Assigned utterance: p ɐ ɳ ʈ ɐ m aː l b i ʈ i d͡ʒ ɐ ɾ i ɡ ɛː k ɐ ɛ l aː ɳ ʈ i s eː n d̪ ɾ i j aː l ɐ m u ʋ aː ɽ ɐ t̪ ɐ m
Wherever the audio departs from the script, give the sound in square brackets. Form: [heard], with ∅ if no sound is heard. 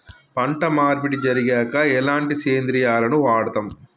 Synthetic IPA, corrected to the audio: p ɐ ɳ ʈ ɐ m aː [ɾ] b i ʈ i d͡ʒ ɐ ɾ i ɡ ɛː k ɐ ɛ l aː ɳ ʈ i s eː n d̪ ɾ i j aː l ɐ [n] u ʋ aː ɽ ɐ t̪ ɐ m